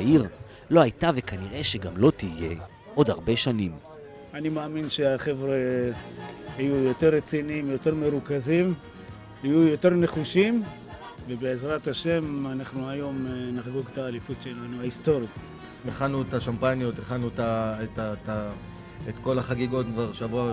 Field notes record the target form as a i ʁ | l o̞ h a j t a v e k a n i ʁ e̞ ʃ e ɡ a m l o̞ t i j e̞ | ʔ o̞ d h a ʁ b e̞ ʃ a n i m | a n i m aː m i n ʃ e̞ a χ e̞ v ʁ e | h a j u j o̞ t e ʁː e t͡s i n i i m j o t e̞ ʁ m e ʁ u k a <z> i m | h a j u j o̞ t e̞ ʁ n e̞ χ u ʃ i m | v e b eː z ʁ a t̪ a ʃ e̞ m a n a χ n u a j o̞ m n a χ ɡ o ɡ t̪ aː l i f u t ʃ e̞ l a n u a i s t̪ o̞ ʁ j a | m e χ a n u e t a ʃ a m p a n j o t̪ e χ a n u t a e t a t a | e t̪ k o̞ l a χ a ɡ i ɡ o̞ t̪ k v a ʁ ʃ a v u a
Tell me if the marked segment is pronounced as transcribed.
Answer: yes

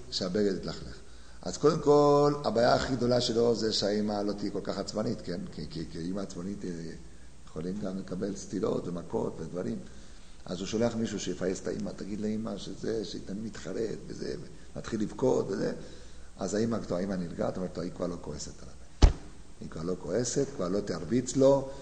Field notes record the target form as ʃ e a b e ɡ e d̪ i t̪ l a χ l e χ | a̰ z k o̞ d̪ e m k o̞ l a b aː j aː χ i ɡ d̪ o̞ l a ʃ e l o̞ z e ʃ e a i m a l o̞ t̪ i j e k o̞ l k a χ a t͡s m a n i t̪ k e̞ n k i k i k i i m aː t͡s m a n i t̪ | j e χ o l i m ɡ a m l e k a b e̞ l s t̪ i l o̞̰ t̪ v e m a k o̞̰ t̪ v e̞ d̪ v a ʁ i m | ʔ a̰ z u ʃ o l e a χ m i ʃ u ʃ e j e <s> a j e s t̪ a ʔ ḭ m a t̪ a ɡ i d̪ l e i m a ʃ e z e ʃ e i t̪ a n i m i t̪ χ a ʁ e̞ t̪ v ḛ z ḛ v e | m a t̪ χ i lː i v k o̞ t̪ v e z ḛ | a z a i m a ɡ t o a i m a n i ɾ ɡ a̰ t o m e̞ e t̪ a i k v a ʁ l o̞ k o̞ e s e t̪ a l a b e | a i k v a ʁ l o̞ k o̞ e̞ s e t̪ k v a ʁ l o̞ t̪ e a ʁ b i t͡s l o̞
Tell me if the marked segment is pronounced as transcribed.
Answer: no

